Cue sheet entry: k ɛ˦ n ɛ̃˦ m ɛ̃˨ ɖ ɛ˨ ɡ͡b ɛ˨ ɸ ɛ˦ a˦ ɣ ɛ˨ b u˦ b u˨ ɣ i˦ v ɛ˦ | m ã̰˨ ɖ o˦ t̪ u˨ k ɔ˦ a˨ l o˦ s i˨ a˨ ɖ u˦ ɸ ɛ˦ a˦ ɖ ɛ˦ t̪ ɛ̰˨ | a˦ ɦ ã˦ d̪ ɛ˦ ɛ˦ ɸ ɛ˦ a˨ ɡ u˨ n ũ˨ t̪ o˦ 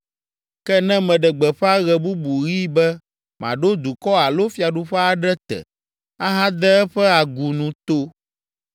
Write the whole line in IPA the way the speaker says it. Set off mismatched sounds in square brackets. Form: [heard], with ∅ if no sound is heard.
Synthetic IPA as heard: k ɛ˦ n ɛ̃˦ m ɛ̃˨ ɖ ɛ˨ ɡ͡b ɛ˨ ɸ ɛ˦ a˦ ɣ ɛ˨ b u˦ b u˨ ɣ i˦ [b] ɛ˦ | m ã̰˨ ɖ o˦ [d̪] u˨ k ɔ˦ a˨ l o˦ [f] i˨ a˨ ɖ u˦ ɸ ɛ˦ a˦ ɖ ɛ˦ t̪ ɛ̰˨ | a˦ ɦ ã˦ d̪ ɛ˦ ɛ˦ ɸ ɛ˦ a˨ ɡ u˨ n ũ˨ t̪ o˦